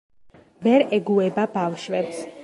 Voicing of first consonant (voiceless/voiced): voiced